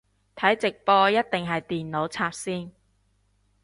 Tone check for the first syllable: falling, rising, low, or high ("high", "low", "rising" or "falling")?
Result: rising